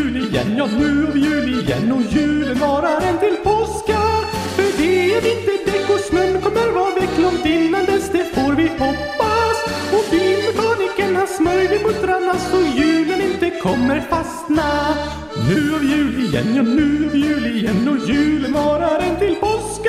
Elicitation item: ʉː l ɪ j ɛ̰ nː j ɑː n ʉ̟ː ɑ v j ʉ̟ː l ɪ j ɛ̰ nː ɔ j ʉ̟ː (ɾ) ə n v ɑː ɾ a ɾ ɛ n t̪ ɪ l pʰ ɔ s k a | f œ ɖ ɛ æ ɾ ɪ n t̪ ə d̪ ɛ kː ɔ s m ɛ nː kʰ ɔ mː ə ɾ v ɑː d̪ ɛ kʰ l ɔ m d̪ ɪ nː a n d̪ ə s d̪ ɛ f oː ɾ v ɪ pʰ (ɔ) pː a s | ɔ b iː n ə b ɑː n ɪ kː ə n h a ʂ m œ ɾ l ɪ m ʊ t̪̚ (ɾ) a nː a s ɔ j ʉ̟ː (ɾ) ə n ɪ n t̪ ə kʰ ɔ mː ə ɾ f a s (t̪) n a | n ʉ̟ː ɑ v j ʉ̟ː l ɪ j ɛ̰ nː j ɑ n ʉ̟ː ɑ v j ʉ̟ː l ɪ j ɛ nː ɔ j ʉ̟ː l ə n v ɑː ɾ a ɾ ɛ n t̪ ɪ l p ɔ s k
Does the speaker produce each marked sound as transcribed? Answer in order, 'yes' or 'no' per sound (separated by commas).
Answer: no, yes, yes, no, yes